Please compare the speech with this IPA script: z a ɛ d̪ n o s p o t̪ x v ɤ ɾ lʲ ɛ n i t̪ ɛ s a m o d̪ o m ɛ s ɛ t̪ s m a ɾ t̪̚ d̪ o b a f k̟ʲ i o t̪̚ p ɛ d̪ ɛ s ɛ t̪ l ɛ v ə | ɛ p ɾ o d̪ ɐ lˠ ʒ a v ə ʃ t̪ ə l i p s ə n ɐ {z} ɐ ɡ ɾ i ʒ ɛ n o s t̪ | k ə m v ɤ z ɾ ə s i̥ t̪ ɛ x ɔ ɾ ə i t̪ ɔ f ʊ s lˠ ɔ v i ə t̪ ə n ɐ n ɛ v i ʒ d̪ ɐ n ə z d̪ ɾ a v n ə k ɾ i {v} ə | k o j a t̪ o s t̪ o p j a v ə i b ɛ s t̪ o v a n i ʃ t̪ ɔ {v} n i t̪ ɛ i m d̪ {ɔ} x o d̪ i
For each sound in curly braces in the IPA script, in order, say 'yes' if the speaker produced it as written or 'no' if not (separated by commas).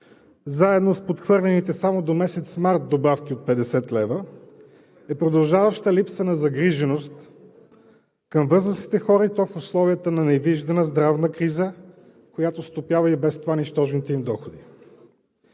yes, no, no, yes